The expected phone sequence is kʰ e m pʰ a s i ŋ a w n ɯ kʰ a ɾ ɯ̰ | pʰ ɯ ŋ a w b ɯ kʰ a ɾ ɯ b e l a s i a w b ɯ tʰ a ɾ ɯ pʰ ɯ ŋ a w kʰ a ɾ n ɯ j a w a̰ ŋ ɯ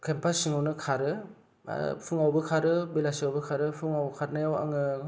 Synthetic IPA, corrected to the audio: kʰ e m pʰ a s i ŋ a w n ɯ kʰ a ɾ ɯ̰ | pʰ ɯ ŋ a w b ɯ kʰ a ɾ ɯ b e l a s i a w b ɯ kʰ a ɾ ɯ pʰ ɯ ŋ a w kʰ a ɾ n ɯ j a w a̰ ŋ ɯ